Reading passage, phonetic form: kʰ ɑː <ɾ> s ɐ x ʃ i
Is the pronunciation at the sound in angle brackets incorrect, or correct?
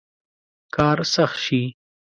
correct